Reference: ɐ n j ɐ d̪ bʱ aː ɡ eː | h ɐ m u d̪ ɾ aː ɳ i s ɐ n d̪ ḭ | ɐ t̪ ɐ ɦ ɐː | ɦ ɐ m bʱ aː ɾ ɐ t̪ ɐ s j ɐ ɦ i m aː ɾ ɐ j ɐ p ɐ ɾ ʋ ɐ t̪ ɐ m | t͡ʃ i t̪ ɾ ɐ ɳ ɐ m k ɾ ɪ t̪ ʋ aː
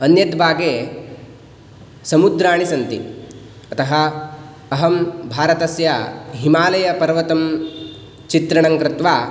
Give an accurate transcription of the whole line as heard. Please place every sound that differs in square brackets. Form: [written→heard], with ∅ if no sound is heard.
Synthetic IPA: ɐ n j ɐ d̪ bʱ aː ɡ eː | [h→s] ɐ m u d̪ ɾ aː ɳ i s ɐ n [d̪→t̪] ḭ | ɐ t̪ ɐ ɦ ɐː | ɦ ɐ m bʱ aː ɾ ɐ t̪ ɐ s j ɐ ɦ i m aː [ɾ→l] ɐ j ɐ p ɐ ɾ ʋ ɐ t̪ ɐ m | t͡ʃ i t̪ ɾ ɐ ɳ ɐ [m→ŋ] k ɾ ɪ t̪ ʋ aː